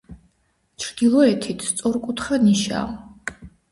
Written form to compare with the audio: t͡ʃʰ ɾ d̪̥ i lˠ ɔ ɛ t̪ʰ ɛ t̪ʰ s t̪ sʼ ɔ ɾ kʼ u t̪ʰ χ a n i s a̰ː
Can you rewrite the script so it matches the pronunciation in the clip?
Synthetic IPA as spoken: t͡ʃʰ ɾ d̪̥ i lˠ ɔ ɛ t̪ʰ i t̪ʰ s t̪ sʼ ɔ ɾ kʼ u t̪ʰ χ a n i ʃ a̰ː